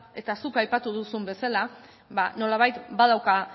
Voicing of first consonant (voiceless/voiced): voiceless